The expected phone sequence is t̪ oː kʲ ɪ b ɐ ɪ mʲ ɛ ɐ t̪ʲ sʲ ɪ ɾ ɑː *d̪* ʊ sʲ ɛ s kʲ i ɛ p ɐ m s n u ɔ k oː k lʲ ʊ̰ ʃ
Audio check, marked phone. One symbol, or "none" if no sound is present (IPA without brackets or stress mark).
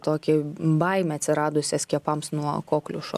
d̪